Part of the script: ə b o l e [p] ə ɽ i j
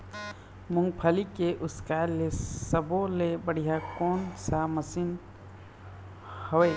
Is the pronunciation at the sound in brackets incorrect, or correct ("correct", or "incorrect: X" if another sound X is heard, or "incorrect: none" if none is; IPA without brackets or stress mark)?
incorrect: b